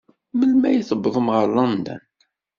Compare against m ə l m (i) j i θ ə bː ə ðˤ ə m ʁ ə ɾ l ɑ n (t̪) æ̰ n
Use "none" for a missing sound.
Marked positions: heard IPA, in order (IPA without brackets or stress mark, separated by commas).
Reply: æ, d̪